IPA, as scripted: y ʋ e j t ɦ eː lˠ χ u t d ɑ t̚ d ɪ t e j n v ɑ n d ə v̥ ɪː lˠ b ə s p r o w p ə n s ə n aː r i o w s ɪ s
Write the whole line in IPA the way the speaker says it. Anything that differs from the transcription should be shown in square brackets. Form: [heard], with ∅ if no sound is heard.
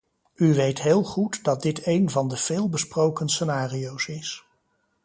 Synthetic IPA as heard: y ʋ e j t ɦ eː lˠ χ u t d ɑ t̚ d ɪ t e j n v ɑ n d ə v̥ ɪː lˠ b ə s p r o w [k] ə n s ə n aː r i o w s ɪ s

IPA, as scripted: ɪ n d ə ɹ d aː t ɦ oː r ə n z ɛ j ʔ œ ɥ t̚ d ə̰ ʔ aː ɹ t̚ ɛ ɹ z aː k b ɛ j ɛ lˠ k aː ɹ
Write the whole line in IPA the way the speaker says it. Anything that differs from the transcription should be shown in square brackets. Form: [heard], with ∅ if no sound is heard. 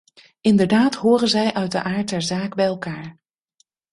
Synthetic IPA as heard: ɪ n d ə ɹ d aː t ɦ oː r ə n z ɛ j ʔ œ ɥ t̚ d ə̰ ʔ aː ɹ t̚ ɛ ɹ z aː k b ɛ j ɛ lˠ k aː ɹ

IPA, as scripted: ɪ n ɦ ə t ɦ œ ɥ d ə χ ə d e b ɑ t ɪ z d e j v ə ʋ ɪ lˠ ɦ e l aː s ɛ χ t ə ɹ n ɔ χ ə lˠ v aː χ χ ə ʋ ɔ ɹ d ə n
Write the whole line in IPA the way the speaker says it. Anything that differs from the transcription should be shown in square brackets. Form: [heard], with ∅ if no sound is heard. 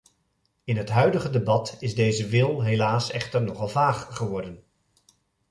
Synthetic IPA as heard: ɪ n ɦ ə t ɦ œ ɥ d ə χ ə d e b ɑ t ɪ z d e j [z] ə ʋ ɪ lˠ ɦ e l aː s ɛ χ t ə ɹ n ɔ χ [ɑ] lˠ v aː χ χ ə ʋ ɔ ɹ d ə n

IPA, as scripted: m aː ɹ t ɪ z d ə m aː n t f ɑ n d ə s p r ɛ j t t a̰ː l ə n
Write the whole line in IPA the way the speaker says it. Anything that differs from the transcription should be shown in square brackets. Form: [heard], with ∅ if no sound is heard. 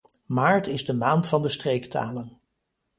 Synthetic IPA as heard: m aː ɹ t ɪ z d ə m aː n t f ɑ n d ə s [t] r [e] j [k] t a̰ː l ə n

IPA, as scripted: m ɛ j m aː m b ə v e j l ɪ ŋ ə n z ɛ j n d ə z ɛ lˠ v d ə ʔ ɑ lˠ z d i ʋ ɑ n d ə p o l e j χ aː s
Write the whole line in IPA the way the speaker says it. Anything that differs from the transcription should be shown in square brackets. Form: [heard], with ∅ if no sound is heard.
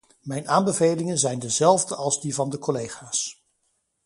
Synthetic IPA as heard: m ɛ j [n] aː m b ə v e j l ɪ ŋ ə n z ɛ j n d ə z ɛ lˠ v d ə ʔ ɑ lˠ z d i [v] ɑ n d ə [k] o l e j χ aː s

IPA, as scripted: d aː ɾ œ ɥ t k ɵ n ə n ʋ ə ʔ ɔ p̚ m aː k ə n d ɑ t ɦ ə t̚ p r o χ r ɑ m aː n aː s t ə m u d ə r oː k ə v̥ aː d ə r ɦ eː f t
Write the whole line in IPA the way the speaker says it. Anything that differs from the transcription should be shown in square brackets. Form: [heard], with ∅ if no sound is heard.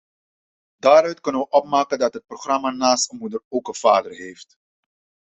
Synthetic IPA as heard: d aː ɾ œ ɥ t k ɵ n ə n ʋ ə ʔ ɔ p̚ m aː k ə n d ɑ t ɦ ə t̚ p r o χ r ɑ m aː n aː s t ə m u d ə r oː k ə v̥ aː d ə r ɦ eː f t

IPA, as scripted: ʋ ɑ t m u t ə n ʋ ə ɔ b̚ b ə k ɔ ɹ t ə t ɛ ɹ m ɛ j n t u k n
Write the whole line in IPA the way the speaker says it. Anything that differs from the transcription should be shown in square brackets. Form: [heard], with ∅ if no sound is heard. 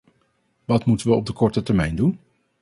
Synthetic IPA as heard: ʋ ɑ t m u t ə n ʋ ə ɔ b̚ [d] ə k ɔ ɹ t ə t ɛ ɹ m ɛ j n [d] u [∅] n

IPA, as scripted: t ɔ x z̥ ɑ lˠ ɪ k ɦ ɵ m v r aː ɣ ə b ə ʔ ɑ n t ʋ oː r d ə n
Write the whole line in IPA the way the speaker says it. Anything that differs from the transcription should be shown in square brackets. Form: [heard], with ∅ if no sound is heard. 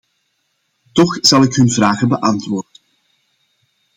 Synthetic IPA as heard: t ɔ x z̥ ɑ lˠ ɪ k ɦ ɵ [n] v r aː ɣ ə b ə ʔ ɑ n t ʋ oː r d ə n

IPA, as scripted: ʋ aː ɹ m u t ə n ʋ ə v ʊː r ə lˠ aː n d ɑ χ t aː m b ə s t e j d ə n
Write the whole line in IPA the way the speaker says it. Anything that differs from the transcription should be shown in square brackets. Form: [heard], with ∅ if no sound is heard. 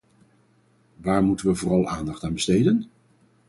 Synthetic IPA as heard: ʋ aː ɹ m u t ə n ʋ ə v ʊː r [ɑ] lˠ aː n d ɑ χ t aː [n] b ə s t e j d ə n

